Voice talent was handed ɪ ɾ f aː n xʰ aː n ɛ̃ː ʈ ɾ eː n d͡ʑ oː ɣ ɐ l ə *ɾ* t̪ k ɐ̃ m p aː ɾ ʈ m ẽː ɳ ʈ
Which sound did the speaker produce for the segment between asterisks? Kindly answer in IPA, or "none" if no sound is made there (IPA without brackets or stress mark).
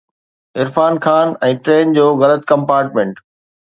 none